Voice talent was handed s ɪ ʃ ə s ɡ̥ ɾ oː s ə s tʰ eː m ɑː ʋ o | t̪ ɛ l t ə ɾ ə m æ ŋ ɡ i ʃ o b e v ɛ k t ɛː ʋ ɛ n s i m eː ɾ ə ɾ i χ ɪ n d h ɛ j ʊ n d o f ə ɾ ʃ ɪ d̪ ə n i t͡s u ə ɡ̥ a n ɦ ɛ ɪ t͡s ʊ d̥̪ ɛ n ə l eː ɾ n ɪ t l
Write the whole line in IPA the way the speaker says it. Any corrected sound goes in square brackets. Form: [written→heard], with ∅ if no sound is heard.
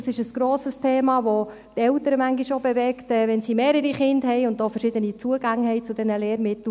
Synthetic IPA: s ɪ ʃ ə s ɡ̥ ɾ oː s ə s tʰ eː m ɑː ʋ o | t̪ ɛ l t ə ɾ ə m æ ŋ ɡ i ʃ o b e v ɛ k t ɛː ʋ ɛ n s i m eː ɾ ə ɾ i χ ɪ n d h ɛ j ʊ n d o f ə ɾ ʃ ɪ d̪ ə n i t͡s u ə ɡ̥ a [n→ŋ] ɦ ɛ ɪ t͡s ʊ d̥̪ ɛ n ə l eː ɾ [n→m] ɪ t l

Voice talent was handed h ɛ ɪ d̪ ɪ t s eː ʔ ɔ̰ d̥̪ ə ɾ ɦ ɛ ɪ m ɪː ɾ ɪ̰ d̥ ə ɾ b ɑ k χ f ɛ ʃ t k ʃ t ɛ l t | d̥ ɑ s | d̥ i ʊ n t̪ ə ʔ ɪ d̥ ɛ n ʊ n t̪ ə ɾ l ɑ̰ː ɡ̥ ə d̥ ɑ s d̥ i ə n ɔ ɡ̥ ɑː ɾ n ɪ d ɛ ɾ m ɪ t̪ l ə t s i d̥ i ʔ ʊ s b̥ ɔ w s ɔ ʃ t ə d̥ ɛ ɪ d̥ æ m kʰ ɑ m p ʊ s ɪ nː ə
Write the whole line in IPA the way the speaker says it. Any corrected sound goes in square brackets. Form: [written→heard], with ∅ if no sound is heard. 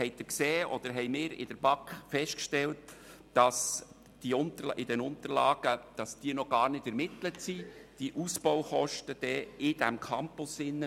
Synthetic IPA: h ɛ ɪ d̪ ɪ [t→k] s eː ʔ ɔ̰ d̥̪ ə ɾ ɦ ɛ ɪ m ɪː ɾ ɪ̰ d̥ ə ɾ b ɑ k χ f ɛ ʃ t k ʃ t ɛ l t | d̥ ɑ s | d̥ i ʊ n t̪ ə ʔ ɪ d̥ ɛ n ʊ n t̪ ə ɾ l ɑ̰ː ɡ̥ ə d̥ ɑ s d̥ i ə n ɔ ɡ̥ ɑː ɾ n ɪ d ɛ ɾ m ɪ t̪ l ə t s i d̥ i ʔ [ʊ→u] s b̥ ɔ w [s→χ] ɔ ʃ t ə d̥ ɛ ɪ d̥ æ m kʰ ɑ m p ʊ s ɪ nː ə

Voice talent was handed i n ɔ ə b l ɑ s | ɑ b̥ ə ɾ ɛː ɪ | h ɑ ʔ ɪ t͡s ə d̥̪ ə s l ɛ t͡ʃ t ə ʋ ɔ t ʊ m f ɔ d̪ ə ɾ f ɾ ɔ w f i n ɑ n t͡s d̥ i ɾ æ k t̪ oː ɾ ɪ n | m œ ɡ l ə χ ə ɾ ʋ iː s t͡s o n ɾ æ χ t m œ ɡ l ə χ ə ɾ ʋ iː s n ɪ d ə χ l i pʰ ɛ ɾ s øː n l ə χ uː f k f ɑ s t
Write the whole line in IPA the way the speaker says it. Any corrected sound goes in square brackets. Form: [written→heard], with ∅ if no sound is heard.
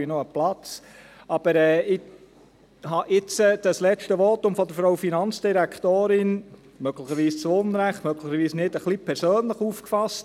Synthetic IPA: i n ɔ ə [b→p] l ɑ [s→t͡s] | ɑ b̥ ə ɾ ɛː ɪ | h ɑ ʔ ɪ t͡s ə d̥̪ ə s l ɛ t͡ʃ t ə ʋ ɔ t ʊ m f ɔ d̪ ə ɾ f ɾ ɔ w f i n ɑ n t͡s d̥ i ɾ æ k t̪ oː ɾ ɪ n | m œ ɡ l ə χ ə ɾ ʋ iː s t͡s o n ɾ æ χ t m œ ɡ l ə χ ə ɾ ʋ iː s n ɪ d ə χ l i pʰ ɛ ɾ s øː n l ə χ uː f k f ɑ s t

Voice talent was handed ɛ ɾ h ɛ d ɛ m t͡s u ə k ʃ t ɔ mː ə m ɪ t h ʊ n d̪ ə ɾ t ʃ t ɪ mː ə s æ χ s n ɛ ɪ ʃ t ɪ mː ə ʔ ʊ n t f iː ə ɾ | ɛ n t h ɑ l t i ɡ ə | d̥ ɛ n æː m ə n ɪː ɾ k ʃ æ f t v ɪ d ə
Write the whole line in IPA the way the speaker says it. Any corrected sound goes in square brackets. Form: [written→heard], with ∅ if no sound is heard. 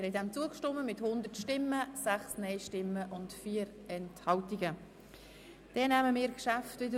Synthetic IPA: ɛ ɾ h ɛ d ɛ m t͡s u ə k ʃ t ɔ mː ə m ɪ t h ʊ n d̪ ə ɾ t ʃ t ɪ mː ə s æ χ s n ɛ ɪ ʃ t ɪ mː ə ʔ ʊ n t f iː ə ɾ | ɛ n t h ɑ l t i ɡ ə | d̥ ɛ n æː m ə [n→m] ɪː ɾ k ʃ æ f t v ɪ d ə

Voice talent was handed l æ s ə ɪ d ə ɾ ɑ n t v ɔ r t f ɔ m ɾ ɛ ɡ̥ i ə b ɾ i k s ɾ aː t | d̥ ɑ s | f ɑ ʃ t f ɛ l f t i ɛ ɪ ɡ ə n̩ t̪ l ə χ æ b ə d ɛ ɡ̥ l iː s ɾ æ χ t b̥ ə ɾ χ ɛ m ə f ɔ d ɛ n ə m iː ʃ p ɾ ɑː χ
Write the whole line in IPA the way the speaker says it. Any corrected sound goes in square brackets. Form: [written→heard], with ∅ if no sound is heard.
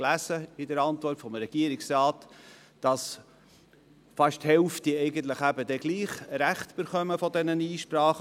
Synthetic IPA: l æ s ə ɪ d ə ɾ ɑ n t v ɔ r t f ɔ m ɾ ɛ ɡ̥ i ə [b→∅] ɾ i k s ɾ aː t | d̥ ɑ s | f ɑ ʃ t [f→h] ɛ l f t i ɛ ɪ ɡ ə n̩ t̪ l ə χ æ b ə d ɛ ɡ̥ l iː [s→χ] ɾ æ χ t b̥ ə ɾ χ [ɛ→œ] m ə f ɔ d ɛ n ə [m→n] iː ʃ p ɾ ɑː χ

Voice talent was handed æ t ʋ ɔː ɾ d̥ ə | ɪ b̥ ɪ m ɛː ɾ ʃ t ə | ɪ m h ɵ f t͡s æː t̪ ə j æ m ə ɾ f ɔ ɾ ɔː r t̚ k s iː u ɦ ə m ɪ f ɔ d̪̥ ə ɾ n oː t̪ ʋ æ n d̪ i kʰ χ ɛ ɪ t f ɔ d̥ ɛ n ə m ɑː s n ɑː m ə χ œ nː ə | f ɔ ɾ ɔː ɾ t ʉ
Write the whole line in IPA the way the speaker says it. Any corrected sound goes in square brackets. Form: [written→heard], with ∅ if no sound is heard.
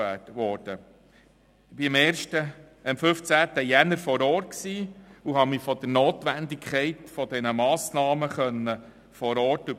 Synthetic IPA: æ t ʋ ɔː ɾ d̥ ə | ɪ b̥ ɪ m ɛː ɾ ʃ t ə | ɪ m [h→f] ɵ f t͡s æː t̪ ə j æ [m→n] ə ɾ f ɔ ɾ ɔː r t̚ k s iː u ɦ [ə→ɑ] m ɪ f ɔ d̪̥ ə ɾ n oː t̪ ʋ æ n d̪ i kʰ χ ɛ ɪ t f ɔ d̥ ɛ n ə m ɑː s n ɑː m ə χ œ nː ə | f ɔ ɾ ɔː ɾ t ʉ

